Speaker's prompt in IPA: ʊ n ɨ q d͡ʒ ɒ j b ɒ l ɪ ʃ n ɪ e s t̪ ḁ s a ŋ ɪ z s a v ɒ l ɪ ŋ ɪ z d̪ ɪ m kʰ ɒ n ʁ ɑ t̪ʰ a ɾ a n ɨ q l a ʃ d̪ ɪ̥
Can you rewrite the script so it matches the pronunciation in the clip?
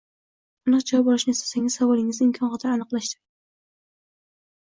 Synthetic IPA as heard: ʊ n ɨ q d͡ʒ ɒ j b ɒ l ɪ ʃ n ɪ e s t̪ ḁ s a ŋ ɪ z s a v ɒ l ɪ ŋ ɪ z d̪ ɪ m kʰ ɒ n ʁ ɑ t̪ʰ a ɾ a n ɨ q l a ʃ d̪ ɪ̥